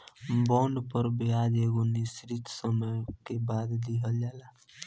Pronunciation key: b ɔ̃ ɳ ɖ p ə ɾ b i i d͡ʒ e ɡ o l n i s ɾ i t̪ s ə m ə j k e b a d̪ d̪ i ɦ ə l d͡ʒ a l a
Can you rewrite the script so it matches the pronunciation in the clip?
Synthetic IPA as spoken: b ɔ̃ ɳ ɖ p ə ɾ b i a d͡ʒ e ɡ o n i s ɾ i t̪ s ə m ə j k e b a d̪ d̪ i ɦ ə l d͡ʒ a l a